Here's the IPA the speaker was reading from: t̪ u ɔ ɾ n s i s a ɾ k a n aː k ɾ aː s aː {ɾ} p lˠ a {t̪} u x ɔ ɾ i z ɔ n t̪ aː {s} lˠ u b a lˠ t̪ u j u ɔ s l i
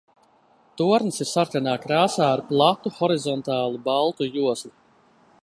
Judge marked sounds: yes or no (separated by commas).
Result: yes, yes, no